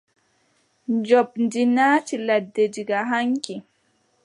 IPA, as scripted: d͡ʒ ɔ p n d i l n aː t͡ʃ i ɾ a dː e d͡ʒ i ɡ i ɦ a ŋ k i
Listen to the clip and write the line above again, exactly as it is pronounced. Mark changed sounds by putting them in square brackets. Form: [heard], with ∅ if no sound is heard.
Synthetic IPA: d͡ʒ ɔ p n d i [∅] n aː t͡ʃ i [l] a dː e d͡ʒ i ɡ [a] ɦ a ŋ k i